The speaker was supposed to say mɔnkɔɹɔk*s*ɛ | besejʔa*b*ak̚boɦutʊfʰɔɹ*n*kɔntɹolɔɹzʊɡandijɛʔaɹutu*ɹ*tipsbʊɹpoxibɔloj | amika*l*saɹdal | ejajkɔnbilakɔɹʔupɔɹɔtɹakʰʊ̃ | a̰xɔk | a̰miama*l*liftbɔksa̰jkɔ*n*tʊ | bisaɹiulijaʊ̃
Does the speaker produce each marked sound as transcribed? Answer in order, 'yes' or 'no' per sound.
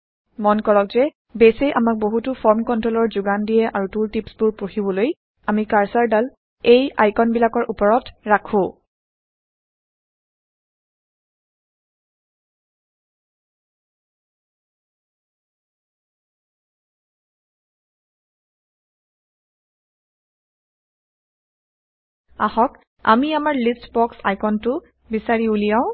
no, no, no, no, no, no, yes

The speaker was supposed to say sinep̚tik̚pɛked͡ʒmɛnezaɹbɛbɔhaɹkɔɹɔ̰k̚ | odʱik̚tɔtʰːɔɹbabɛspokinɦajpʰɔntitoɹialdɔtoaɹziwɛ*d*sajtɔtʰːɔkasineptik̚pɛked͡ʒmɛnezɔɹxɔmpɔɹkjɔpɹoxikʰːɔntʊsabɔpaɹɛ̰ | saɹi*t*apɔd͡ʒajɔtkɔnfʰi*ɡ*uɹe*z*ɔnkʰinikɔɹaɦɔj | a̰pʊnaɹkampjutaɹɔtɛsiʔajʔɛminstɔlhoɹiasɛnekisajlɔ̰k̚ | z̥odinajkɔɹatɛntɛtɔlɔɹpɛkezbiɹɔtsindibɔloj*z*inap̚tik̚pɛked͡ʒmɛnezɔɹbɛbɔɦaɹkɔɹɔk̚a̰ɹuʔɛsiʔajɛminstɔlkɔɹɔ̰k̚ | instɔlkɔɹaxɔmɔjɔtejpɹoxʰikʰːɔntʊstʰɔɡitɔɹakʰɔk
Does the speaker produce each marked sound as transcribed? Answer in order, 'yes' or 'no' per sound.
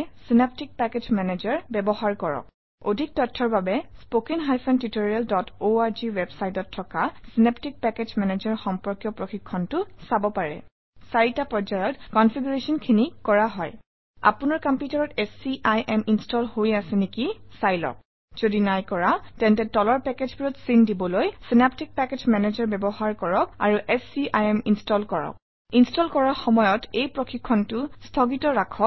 no, yes, yes, no, no

